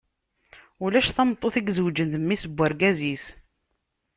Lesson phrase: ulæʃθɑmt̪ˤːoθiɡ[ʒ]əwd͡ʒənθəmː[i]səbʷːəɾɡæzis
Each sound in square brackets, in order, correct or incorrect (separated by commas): incorrect, correct